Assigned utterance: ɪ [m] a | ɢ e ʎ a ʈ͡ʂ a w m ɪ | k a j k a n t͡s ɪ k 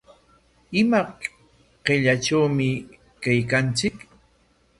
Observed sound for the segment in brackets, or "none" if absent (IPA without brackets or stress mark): m